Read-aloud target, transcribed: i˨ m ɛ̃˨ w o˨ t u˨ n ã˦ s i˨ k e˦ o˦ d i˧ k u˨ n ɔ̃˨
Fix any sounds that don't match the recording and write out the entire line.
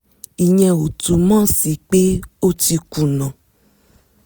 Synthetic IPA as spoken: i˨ ɲ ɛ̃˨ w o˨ t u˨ m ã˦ s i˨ k͡p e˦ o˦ t i˧ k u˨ n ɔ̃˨

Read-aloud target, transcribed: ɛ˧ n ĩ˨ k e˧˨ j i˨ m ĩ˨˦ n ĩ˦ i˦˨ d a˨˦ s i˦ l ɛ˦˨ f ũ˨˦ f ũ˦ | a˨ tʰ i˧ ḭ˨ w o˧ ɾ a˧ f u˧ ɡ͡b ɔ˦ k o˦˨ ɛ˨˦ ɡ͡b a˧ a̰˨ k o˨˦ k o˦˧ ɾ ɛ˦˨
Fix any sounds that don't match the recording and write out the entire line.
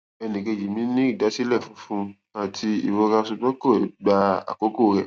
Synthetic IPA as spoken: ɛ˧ n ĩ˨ k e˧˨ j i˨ m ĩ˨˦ n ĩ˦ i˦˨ d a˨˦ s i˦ l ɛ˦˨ f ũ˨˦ f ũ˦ | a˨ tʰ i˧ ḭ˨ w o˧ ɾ a˧ s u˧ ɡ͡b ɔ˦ k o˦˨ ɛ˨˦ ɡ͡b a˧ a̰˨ k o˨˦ k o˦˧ ɾ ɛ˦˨

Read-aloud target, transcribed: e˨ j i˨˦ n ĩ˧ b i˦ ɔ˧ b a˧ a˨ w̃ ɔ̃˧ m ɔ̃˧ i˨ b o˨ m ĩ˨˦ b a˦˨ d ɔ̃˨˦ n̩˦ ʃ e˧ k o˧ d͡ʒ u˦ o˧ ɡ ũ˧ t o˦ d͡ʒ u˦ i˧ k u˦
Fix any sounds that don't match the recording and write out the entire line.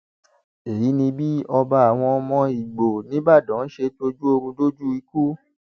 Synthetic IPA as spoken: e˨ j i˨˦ n ĩ˧ b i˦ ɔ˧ b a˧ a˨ w̃ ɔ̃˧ m ɔ̃˧ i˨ ɡ͡b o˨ n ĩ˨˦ b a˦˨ d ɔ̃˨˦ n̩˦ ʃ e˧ t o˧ d͡ʒ u˦ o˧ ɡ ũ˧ d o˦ d͡ʒ u˦ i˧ k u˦

